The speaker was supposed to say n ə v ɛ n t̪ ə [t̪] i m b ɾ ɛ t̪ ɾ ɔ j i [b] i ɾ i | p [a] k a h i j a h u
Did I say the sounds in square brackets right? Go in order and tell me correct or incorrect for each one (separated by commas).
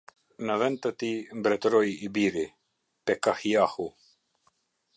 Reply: correct, correct, incorrect